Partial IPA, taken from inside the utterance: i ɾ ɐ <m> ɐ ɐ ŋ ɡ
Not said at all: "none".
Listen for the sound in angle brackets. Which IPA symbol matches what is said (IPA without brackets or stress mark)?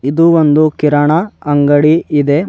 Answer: ɳ